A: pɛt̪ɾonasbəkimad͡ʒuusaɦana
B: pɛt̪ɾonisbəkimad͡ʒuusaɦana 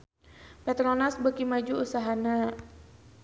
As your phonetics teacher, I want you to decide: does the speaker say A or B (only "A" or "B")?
A